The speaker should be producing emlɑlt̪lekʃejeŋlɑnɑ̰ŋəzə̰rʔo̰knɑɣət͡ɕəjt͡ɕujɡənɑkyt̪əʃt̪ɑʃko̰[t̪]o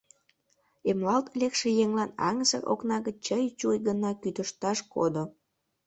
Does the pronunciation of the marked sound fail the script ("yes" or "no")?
yes